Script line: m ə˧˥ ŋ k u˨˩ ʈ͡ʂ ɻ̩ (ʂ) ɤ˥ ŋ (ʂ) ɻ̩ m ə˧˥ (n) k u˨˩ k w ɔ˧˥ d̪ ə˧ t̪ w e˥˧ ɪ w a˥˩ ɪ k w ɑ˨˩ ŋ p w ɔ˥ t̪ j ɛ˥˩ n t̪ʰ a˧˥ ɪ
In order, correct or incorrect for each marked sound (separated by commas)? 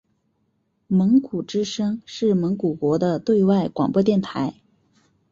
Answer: correct, correct, incorrect